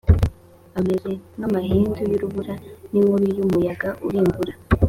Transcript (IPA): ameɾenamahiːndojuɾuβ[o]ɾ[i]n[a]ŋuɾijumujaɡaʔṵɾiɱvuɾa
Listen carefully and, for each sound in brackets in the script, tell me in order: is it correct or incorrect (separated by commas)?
incorrect, incorrect, incorrect